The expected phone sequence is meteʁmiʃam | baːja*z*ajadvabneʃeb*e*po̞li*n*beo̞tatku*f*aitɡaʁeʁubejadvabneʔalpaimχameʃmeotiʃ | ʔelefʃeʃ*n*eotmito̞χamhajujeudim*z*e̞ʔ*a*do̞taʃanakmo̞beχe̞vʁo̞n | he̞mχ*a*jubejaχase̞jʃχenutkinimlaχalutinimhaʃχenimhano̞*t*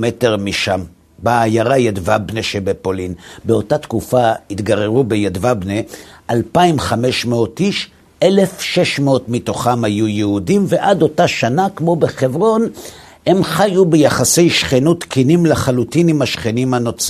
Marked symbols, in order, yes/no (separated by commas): no, yes, yes, yes, no, no, yes, yes, no